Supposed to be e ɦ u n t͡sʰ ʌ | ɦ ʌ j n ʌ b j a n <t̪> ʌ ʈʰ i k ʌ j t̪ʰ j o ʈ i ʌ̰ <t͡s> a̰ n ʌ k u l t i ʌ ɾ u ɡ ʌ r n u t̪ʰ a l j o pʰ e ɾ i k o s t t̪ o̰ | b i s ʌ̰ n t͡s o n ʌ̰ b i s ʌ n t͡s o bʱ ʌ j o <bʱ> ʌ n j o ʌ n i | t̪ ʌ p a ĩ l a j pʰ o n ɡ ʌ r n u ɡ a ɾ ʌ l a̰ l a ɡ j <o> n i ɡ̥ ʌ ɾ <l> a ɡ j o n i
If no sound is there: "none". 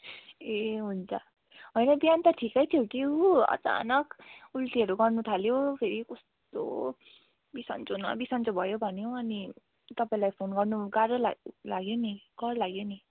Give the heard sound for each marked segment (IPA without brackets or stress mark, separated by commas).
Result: t̪, t͡s, bʱ, o, l